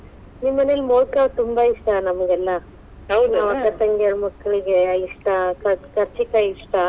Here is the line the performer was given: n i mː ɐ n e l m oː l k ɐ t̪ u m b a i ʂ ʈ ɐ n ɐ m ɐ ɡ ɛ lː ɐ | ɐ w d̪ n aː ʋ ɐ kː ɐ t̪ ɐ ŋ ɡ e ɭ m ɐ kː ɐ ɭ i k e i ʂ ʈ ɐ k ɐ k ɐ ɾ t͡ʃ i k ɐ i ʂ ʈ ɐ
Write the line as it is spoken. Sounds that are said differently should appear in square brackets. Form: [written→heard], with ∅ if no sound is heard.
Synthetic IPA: n i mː ɐ n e l m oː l k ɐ t̪ u m b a i ʂ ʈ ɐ n ɐ m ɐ ɡ ɛ lː ɐ | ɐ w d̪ n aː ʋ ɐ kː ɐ t̪ ɐ ŋ ɡ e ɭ m ɐ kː ɐ ɭ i [k→ɡ] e i ʂ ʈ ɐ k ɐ k ɐ ɾ t͡ʃ i k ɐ i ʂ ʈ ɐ